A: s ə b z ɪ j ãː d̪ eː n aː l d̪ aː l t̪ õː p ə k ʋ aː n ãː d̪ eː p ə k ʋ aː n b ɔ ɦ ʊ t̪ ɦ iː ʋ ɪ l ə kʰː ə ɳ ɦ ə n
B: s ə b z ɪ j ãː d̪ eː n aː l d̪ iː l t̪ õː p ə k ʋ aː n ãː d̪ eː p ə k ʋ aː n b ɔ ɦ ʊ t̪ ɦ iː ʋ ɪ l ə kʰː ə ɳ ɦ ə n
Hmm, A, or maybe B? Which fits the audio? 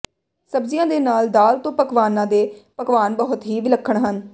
A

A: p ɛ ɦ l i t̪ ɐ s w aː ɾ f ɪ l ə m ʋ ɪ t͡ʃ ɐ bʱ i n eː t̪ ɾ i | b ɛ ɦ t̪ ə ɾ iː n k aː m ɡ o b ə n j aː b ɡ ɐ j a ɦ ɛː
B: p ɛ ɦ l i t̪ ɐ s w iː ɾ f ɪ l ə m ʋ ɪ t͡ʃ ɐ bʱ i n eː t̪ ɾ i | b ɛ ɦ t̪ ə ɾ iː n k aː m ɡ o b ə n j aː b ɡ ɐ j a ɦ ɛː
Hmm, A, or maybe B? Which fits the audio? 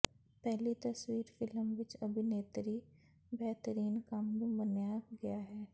B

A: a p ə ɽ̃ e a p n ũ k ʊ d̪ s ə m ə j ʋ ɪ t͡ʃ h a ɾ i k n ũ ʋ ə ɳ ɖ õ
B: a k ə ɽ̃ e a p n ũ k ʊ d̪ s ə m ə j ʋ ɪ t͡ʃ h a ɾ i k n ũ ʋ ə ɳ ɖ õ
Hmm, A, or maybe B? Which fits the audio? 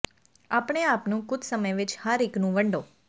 A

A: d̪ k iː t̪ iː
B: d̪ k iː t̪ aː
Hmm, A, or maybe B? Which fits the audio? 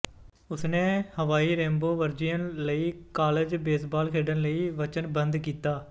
B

